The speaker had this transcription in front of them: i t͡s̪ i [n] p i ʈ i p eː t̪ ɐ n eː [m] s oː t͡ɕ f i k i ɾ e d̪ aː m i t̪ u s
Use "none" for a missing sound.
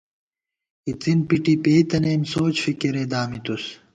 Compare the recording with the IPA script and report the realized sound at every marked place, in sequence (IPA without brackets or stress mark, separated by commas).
n, m